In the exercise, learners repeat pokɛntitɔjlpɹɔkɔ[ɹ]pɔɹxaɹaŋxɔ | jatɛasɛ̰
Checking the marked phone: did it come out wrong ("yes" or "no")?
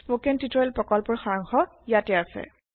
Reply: yes